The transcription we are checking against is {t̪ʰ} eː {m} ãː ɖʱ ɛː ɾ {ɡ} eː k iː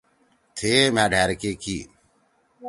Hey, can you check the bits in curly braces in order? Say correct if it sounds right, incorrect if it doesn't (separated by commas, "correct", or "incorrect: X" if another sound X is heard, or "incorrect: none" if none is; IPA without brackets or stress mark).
correct, correct, incorrect: k